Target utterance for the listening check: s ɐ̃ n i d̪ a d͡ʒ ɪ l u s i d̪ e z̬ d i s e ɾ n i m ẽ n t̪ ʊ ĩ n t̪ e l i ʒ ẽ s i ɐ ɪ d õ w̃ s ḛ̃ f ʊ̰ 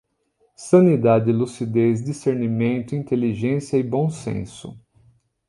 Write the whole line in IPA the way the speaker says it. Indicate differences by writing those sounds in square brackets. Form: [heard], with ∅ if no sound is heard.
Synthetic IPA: s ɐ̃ n i d̪ a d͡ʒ ɪ l u s i d̪ e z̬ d i s e ɾ n i m ẽ n t̪ ʊ ĩ n t̪ e l i ʒ ẽ s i ɐ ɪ [b] õ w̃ s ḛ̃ [s] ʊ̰